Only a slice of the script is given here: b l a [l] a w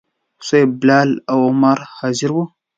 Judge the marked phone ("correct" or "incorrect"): correct